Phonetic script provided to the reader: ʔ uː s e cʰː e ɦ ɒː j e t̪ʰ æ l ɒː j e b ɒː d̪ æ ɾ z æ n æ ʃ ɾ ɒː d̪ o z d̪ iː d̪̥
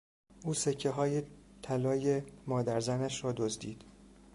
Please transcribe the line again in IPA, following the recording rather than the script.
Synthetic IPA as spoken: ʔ uː s e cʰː e ɦ ɒː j e t̪ʰ æ l ɒː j e m ɒː d̪ æ ɾ z æ n æ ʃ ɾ ɒː d̪ o z d̪ iː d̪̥